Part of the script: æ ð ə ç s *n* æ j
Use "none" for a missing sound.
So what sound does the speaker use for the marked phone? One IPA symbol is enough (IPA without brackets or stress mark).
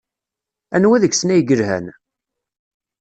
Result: n